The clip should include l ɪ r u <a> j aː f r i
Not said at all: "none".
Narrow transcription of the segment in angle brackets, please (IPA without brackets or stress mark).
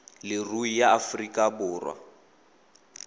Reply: i